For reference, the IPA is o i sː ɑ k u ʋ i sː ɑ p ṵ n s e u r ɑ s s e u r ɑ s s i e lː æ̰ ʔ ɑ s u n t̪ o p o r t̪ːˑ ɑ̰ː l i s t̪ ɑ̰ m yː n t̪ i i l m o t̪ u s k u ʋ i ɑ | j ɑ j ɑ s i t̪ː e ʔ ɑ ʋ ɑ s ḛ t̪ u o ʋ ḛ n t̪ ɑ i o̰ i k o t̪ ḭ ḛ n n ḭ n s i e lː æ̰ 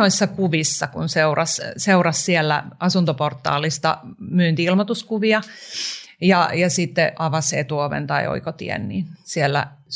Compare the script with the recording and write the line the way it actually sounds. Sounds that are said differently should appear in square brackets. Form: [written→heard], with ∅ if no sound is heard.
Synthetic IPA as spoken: o i sː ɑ k u ʋ i sː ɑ [p→k] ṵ n s e u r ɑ s s e u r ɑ s s i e lː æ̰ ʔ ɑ s u n t̪ o p o r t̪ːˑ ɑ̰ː l i s t̪ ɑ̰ m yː n t̪ i i l m o t̪ u s k u ʋ i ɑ | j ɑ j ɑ s i t̪ː e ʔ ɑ ʋ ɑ s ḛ t̪ u o ʋ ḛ n t̪ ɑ i o̰ i k o t̪ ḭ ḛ n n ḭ n s i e lː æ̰